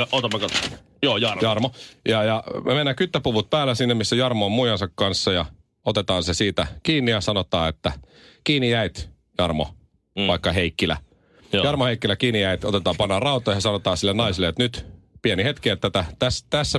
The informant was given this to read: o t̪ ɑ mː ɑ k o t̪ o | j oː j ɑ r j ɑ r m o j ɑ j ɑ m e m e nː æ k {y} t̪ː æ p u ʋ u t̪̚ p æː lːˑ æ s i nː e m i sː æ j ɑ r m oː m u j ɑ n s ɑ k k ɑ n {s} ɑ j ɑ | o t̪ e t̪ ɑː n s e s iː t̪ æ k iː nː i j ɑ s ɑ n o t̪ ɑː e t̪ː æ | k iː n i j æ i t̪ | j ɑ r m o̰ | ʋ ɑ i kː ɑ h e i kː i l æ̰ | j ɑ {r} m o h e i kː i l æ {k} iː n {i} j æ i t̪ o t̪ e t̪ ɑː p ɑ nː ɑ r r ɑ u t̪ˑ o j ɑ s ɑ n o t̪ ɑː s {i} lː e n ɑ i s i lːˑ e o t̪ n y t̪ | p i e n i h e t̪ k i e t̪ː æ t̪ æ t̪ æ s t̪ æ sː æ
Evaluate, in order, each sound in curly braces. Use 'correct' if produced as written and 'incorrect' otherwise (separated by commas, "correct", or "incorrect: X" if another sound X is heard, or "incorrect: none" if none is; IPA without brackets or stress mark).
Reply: correct, incorrect: sː, correct, correct, correct, correct